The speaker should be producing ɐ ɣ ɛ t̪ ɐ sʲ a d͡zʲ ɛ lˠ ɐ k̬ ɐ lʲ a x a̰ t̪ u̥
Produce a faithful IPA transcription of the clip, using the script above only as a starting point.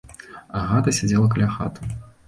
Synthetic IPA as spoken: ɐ ɣ a t̪ ɐ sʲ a d͡zʲ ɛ lˠ ɐ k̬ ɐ lʲ a x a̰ t̪ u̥